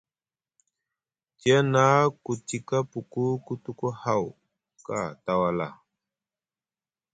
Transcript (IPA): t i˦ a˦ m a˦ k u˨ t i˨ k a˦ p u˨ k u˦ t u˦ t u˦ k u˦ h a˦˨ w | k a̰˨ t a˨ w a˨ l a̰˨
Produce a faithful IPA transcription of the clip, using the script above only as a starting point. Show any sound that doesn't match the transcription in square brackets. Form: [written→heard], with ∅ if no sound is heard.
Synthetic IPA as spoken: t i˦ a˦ [m→n] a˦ k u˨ t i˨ k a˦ p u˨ k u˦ [t→k] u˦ t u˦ k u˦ h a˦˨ w | k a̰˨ t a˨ w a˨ l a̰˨